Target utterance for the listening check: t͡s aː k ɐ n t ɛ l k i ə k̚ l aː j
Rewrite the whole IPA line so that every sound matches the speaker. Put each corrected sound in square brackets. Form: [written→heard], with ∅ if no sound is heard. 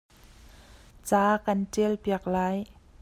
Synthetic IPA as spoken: t͡s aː k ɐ n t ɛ l [k→p] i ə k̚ l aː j